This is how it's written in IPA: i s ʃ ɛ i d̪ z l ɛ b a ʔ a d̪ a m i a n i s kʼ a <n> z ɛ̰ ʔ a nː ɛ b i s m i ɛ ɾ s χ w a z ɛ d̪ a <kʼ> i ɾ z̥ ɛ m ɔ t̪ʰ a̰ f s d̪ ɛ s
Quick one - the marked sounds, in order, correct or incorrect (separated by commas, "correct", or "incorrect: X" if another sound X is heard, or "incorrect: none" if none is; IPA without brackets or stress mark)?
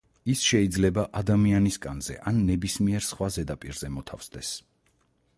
correct, incorrect: pʼ